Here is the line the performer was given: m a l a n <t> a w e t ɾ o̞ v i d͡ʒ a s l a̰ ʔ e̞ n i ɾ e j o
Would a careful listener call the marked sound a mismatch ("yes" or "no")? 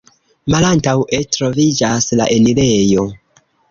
no